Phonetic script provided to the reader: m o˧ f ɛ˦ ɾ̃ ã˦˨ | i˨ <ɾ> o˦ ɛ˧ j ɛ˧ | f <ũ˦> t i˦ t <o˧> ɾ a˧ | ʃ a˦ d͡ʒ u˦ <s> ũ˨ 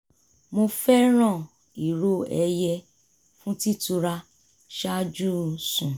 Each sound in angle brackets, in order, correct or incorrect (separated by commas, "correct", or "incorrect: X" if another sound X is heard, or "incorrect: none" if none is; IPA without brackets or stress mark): correct, correct, incorrect: u˧, correct